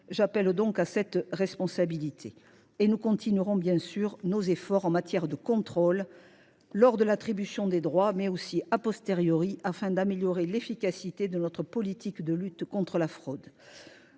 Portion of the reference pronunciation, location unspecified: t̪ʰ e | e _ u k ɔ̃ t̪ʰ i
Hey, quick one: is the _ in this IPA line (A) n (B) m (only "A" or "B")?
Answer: A